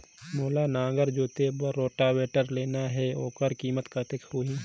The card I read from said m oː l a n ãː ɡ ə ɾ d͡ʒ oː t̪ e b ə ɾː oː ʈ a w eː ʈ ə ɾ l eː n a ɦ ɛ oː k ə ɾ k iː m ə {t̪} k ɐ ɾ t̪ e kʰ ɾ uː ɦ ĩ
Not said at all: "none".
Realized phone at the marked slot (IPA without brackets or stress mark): t̪